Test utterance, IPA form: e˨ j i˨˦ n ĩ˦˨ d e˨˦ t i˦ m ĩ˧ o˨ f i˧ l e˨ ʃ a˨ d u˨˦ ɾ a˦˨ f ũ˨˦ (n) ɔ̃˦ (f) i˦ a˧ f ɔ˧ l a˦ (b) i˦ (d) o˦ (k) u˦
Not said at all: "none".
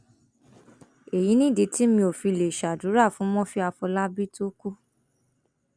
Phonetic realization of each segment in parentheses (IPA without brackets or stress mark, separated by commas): m, f, b, t, k